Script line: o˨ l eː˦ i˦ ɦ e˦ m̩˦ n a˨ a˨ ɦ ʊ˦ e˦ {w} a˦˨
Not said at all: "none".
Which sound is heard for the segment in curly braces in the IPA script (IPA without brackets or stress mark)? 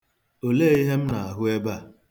b